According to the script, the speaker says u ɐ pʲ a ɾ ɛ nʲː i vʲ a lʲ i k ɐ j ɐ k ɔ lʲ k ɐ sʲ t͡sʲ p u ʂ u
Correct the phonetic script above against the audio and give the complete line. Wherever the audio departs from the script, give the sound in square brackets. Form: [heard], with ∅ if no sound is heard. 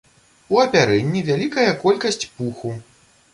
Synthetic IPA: u ɐ pʲ a ɾ ɛ nʲː i vʲ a lʲ i k ɐ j ɐ k ɔ lʲ k ɐ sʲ t͡sʲ p u [x] u